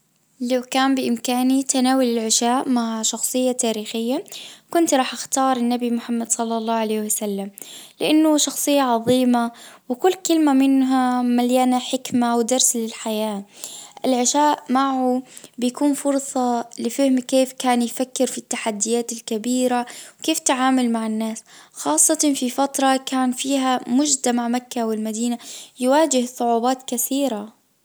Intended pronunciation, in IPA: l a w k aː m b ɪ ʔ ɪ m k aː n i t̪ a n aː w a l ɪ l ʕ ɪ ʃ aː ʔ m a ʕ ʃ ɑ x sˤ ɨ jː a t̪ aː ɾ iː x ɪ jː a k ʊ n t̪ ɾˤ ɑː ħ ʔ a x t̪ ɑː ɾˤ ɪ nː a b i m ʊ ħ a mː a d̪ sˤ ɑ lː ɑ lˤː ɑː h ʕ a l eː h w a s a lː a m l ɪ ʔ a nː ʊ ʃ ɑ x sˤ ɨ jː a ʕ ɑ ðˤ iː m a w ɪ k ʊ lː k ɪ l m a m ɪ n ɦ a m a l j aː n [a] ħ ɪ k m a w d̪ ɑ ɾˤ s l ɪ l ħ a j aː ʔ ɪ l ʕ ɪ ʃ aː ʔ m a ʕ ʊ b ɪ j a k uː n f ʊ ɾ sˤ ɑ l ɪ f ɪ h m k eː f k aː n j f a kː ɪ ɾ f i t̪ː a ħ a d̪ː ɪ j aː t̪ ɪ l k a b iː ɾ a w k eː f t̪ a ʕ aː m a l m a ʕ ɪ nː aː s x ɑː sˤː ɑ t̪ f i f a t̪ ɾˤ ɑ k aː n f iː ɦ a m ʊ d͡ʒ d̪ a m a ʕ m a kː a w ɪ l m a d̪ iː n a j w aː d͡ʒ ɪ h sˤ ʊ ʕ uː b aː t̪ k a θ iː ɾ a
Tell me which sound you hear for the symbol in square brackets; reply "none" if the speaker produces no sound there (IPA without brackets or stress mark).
a